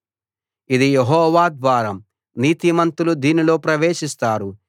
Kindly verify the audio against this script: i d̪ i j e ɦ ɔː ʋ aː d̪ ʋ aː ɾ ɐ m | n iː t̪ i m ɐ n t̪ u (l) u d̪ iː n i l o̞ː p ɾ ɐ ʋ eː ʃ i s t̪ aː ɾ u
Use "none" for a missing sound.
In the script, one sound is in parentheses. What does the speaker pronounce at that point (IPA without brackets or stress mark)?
l